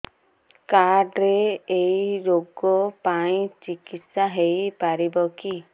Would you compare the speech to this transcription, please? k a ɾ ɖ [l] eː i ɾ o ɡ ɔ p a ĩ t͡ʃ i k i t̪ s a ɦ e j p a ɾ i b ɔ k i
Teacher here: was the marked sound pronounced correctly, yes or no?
no